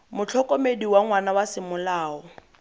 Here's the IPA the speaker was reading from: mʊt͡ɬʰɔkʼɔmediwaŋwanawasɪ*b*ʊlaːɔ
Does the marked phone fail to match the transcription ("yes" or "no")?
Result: yes